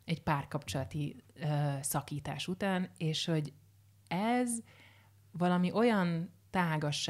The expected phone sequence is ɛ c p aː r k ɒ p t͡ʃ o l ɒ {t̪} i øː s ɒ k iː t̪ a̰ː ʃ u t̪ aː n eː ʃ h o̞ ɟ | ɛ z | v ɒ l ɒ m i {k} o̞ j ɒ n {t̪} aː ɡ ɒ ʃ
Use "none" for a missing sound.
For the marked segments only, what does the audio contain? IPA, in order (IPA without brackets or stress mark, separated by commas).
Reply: t̪, ʔ, t̪